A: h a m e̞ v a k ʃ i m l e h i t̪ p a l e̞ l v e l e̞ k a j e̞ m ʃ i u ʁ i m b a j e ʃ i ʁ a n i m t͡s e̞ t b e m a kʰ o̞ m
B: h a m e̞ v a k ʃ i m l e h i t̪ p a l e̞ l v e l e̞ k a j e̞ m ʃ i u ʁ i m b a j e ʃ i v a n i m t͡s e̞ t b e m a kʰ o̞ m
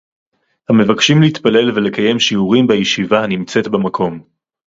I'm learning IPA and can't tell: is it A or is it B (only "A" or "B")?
B